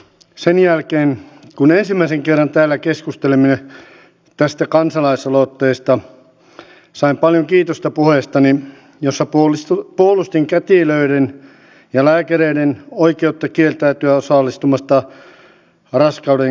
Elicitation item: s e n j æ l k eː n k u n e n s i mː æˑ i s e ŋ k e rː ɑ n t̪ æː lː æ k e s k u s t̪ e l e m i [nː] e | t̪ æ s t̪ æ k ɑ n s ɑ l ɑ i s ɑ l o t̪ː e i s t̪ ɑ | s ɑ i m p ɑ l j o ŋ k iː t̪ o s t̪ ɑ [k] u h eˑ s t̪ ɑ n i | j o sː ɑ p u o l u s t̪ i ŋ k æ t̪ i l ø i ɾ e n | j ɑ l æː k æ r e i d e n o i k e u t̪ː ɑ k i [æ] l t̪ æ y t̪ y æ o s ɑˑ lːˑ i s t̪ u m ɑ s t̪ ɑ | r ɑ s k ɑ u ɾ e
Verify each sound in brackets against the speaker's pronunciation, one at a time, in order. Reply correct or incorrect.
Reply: incorrect: n, incorrect: p, incorrect: e

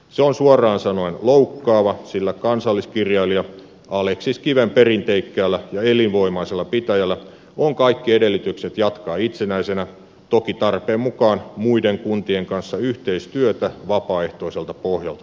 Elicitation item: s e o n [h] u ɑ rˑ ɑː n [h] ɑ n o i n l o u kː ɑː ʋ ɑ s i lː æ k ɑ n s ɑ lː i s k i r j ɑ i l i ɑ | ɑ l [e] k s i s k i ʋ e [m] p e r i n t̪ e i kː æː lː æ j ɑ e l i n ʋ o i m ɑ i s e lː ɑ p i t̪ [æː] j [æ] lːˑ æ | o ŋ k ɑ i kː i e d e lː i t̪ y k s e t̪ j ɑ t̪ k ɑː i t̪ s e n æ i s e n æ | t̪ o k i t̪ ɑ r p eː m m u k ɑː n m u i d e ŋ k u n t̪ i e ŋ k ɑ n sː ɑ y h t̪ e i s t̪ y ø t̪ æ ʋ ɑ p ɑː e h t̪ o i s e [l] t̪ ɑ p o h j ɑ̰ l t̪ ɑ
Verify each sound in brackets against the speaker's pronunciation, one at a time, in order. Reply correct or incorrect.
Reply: incorrect: s, incorrect: s, correct, correct, incorrect: æ, correct, correct

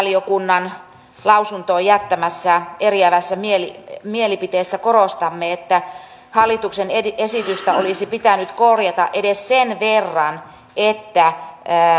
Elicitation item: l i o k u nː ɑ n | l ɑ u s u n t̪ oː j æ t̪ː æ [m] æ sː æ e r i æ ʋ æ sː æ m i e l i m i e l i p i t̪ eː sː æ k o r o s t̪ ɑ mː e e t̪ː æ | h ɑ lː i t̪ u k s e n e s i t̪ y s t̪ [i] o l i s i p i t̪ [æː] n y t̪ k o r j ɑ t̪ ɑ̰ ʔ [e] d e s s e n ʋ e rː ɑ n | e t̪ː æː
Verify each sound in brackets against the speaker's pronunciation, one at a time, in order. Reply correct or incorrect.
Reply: correct, incorrect: æ, incorrect: æ, correct

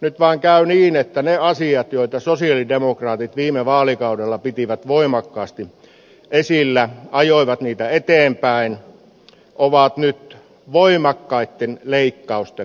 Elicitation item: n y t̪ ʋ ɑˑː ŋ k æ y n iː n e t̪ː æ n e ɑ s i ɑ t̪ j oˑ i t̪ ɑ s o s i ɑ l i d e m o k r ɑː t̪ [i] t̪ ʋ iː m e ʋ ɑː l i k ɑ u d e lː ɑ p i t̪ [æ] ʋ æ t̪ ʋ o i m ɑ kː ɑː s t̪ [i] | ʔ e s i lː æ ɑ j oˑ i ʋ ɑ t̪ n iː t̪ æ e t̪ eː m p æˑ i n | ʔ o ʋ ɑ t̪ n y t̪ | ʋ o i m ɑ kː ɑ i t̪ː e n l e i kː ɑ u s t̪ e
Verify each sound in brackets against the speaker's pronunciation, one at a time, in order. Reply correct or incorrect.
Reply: correct, incorrect: i, correct

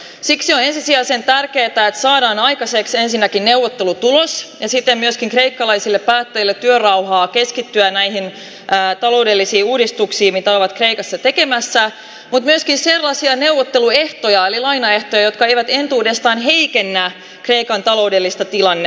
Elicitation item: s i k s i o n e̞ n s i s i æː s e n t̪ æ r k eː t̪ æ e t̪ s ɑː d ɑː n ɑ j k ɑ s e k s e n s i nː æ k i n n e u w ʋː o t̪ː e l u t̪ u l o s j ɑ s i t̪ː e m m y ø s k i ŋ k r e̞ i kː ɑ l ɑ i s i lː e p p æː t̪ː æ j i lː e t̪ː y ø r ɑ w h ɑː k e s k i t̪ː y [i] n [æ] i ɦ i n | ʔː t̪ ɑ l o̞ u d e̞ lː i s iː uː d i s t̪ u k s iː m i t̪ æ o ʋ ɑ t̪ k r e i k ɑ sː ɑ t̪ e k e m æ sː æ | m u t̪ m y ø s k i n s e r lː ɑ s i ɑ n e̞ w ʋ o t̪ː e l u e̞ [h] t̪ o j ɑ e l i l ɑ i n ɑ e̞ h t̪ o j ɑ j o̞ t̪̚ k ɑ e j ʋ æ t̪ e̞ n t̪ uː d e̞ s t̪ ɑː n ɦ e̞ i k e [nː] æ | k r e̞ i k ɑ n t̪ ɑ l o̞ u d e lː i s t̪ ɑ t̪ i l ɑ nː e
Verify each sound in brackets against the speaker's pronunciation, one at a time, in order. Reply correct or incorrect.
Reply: incorrect: æ, correct, correct, correct

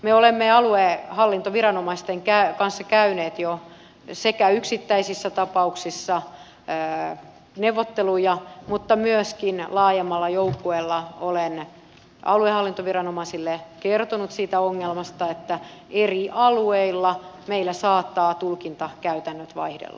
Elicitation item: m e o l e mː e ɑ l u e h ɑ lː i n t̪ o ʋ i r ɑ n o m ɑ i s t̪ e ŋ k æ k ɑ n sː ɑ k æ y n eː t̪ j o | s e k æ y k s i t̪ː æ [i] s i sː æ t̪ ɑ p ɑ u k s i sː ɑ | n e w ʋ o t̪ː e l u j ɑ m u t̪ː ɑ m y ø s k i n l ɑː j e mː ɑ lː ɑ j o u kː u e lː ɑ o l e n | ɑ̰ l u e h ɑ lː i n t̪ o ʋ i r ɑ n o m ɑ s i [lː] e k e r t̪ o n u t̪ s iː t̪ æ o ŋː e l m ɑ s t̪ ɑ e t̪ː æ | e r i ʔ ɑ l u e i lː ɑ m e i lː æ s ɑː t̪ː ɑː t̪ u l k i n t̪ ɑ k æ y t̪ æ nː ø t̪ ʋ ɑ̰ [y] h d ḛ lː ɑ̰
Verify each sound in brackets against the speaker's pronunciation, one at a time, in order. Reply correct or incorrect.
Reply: correct, correct, incorrect: i

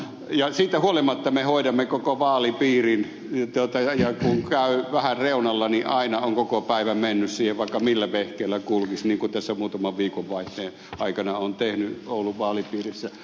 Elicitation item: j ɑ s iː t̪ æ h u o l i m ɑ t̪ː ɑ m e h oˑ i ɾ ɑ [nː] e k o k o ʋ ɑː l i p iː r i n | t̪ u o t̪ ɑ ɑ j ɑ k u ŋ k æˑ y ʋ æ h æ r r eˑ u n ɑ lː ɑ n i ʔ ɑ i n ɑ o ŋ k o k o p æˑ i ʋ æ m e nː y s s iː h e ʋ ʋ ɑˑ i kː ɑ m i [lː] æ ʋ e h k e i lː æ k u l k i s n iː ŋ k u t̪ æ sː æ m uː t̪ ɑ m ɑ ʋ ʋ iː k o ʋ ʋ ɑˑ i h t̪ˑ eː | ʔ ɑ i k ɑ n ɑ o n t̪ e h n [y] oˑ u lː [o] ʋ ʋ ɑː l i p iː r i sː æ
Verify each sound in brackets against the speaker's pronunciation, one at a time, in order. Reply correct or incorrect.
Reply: incorrect: mː, correct, correct, incorrect: u

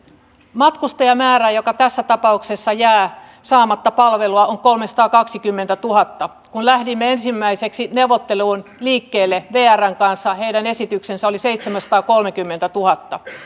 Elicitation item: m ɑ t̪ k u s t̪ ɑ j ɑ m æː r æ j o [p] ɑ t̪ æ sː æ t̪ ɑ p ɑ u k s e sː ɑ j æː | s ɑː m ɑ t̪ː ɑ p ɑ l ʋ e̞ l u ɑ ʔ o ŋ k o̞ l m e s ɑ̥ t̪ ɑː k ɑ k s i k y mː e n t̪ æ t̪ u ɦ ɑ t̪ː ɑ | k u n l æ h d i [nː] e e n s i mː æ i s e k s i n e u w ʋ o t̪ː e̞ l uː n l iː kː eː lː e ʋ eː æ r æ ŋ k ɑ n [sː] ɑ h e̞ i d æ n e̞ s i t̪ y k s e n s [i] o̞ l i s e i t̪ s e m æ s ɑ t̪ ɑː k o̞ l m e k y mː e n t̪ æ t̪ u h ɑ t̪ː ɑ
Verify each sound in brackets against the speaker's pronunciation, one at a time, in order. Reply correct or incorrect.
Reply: incorrect: k, incorrect: mː, correct, incorrect: æ

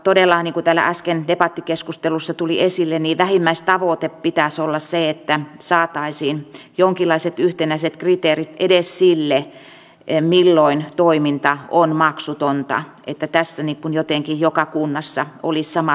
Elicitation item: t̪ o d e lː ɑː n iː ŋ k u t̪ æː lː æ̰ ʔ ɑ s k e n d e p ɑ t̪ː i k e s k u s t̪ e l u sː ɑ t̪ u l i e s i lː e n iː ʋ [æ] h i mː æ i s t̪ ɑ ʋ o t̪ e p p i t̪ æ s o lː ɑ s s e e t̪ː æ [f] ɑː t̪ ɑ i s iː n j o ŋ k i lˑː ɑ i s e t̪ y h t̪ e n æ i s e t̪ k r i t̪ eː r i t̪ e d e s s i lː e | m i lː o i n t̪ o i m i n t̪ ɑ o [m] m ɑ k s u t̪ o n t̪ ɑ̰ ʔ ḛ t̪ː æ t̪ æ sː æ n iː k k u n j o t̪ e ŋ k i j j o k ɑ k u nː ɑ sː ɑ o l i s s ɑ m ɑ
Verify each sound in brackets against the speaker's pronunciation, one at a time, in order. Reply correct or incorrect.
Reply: correct, incorrect: s, incorrect: n

